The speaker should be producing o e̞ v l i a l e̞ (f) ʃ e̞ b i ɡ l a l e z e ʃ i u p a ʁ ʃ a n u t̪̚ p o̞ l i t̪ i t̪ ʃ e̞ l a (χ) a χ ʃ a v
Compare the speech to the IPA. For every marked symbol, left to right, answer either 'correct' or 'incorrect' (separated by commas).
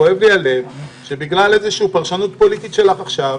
incorrect, correct